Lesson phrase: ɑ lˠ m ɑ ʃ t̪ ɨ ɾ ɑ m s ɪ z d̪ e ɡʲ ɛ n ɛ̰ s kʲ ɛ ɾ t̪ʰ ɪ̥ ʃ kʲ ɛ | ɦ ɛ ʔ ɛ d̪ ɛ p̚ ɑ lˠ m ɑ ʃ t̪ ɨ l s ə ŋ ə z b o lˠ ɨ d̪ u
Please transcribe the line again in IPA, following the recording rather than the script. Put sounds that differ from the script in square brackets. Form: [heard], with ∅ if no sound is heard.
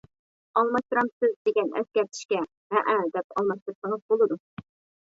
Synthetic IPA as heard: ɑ lˠ m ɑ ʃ t̪ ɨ ɾ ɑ m s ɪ z d̪ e ɡʲ ɛ n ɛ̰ s kʲ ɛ ɾ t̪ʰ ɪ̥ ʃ kʲ ɛ | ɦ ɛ ʔ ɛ d̪ ɛ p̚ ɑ lˠ m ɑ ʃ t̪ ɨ [ɾ] s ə ŋ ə z b o lˠ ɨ d̪ u